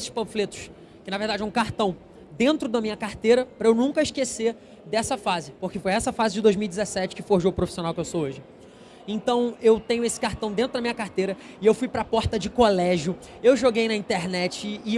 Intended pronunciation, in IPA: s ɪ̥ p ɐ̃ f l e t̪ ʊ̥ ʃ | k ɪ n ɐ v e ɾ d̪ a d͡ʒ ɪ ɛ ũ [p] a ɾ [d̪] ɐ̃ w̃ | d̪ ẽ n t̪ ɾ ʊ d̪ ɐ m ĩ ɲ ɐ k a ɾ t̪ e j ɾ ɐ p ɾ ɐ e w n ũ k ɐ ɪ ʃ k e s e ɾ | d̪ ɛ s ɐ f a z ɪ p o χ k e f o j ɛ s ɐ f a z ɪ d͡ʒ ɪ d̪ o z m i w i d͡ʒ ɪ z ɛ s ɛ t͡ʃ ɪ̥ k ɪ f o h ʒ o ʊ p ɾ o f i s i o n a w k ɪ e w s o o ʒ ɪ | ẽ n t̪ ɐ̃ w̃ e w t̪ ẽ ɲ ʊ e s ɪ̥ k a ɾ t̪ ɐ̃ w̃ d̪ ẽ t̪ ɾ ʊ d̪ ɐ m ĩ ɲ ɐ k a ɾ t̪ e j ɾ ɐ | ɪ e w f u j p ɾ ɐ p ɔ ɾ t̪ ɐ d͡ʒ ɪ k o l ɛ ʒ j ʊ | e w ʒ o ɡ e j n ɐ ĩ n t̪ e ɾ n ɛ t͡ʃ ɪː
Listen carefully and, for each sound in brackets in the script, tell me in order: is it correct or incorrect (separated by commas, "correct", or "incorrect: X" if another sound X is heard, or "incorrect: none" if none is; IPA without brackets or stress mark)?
incorrect: k, incorrect: t̪